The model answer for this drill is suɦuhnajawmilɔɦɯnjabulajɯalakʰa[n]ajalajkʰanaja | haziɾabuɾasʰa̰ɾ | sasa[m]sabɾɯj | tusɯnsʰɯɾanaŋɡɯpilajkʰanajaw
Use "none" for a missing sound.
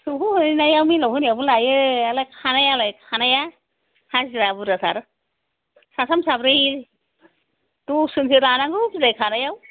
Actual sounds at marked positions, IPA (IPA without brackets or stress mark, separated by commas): n, m